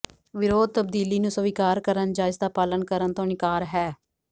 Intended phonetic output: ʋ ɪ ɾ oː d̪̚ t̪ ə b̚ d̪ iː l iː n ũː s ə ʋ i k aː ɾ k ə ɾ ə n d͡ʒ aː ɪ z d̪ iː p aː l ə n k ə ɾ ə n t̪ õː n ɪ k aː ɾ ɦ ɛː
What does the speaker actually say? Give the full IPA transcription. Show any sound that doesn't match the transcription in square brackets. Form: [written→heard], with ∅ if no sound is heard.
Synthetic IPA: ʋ ɪ ɾ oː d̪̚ t̪ ə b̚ d̪ iː l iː n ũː s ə ʋ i k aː ɾ k ə ɾ ə n d͡ʒ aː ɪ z d̪ [iː→aː] p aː l ə n k ə ɾ ə n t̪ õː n ɪ k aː ɾ ɦ ɛː